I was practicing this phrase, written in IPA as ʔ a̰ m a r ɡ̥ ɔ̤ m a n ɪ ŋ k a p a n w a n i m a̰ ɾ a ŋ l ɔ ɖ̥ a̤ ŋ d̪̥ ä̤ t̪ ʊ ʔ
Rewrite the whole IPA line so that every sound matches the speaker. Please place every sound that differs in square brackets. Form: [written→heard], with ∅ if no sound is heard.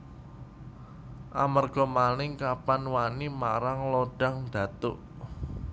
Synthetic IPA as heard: ʔ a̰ m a r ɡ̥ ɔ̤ m a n ɪ ŋ k a p a n w a n i m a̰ ɾ a ŋ l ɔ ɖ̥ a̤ ŋ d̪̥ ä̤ t̪ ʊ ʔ